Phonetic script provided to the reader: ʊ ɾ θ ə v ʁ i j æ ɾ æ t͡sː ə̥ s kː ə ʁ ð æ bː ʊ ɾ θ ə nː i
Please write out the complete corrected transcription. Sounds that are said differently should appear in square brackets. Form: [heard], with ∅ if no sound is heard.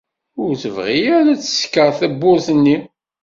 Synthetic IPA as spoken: ʊ ɾ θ ə v ʁ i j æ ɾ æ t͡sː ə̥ s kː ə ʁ [θ] æ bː ʊ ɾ θ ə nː i

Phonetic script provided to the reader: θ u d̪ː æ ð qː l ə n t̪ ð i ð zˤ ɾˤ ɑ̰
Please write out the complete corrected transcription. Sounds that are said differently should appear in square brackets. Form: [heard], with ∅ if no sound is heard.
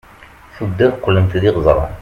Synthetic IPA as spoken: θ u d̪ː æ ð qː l ə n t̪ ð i [ʁ] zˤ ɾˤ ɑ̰

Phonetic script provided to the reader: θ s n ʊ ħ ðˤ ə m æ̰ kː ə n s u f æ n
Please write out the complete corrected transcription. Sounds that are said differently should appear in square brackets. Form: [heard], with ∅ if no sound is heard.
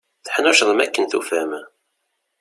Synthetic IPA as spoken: θ [ħ] n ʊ [ʃ] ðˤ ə m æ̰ kː ə n [θ] u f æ [m]

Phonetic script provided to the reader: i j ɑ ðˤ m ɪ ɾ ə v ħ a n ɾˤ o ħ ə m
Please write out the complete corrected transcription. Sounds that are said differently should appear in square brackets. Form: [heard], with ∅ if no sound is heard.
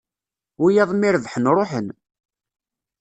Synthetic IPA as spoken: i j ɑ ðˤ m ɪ ɾ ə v ħ [ə] n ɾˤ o ħ ə [n]

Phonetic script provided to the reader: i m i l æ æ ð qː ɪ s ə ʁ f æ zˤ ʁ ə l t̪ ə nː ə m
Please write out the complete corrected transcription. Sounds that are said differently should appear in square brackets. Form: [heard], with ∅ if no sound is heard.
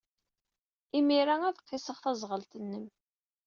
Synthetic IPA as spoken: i m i [ɾ] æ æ ð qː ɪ s ə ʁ [θ] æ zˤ ʁ ə l t̪ ə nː ə m

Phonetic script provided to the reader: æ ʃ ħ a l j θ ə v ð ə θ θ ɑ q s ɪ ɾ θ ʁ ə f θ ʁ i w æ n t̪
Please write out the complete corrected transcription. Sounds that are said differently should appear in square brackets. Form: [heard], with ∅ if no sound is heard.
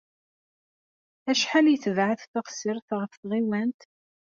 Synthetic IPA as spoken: æ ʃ ħ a l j θ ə v [ʕ] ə θ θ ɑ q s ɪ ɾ θ ʁ ə f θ ʁ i w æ n t̪

